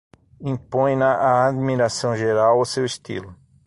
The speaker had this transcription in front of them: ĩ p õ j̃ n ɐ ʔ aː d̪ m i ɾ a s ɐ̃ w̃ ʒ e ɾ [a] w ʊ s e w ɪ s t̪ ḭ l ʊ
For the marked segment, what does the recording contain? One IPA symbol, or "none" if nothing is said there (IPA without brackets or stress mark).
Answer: a